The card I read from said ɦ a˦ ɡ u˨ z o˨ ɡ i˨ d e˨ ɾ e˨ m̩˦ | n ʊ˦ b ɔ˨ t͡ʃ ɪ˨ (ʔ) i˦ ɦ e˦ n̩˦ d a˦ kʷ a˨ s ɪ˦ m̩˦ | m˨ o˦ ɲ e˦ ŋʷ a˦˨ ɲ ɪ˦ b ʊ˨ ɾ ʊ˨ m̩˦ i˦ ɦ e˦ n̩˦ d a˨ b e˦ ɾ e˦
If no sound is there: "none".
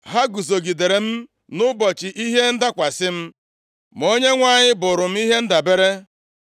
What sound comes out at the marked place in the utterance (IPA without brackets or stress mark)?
ʔ